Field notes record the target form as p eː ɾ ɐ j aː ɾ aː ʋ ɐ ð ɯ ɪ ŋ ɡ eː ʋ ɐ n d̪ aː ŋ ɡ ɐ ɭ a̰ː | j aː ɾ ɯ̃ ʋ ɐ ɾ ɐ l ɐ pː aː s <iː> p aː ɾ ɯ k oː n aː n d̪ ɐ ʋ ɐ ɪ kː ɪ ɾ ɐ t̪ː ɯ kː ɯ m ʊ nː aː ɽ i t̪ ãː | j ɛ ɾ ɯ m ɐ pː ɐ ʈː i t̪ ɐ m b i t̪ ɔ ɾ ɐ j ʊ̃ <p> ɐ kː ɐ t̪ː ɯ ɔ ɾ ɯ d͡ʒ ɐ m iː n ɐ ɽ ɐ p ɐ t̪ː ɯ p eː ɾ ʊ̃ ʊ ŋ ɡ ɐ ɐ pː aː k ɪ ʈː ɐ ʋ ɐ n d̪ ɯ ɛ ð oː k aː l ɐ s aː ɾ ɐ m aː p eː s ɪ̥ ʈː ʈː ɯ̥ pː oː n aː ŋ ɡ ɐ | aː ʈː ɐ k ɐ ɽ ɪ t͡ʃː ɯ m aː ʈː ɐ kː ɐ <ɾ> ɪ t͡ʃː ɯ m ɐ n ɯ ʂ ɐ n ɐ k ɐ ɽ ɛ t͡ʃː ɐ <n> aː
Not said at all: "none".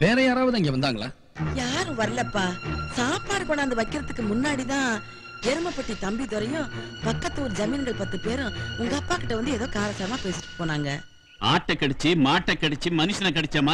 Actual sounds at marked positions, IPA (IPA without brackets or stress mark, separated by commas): aː, p, ɽ, m